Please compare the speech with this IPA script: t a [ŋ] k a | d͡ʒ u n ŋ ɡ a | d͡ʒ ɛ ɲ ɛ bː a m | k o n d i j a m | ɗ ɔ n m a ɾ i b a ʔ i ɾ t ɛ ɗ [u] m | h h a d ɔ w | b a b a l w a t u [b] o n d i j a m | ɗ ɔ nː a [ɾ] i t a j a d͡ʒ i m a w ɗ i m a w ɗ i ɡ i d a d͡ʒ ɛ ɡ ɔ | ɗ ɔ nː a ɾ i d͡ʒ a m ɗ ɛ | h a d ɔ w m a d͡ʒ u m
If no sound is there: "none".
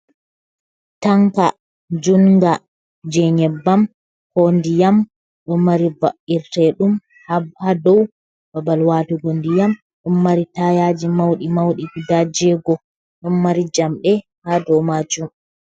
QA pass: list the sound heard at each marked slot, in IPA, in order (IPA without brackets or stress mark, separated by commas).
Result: ŋ, u, ɡ, ɾ